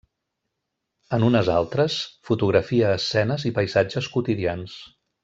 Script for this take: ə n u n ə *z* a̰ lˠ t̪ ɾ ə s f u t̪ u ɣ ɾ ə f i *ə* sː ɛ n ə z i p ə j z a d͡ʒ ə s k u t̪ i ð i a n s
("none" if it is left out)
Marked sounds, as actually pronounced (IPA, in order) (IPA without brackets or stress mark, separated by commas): z, əː